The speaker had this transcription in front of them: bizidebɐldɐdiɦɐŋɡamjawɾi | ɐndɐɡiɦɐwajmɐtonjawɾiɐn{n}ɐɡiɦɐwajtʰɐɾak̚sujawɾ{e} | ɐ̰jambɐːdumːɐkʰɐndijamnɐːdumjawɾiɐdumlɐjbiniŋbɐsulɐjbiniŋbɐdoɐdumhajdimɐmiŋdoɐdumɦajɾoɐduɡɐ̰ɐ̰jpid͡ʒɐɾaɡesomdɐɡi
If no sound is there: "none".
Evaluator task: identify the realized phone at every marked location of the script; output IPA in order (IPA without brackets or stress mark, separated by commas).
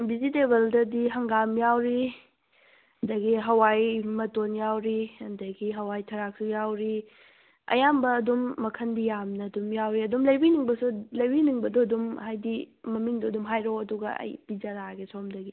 d, i